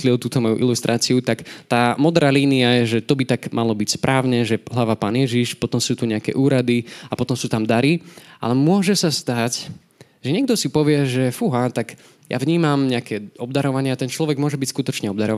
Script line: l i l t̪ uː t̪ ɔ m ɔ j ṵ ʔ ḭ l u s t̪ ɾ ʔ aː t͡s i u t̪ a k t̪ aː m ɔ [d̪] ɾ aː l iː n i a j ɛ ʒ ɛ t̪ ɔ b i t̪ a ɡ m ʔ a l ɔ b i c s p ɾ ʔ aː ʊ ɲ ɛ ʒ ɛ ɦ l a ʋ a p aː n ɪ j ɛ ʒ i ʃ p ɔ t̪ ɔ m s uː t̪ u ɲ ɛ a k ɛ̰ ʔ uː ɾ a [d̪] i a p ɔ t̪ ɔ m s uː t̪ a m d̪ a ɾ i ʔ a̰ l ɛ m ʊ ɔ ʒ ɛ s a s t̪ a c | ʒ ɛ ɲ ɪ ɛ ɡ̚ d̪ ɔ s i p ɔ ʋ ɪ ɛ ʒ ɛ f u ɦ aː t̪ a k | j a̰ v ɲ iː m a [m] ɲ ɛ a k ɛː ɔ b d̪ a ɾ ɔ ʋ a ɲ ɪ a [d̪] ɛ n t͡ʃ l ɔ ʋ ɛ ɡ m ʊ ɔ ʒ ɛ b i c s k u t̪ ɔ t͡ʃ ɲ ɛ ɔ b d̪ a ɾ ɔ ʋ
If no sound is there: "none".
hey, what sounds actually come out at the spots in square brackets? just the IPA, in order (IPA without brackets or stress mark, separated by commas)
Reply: d̪, d̪, m, t̪